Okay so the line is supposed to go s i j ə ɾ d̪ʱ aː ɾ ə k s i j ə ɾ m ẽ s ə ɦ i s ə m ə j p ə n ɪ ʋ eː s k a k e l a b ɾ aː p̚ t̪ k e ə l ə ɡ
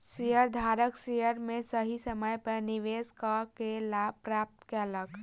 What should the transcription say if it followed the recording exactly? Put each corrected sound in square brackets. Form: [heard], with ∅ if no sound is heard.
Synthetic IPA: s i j ə ɾ d̪ʱ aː ɾ ə k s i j ə ɾ m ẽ s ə ɦ i s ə m ə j p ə n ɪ ʋ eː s k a k e l a [p] ɾ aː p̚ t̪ k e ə l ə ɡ